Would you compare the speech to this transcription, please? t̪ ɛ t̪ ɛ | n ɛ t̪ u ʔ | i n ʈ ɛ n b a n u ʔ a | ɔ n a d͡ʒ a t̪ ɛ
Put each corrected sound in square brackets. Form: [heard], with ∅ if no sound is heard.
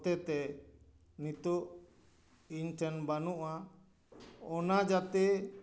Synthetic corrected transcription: t̪ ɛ t̪ ɛ | n [i] t̪ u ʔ | i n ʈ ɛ n b a n u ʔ a | ɔ n a d͡ʒ a t̪ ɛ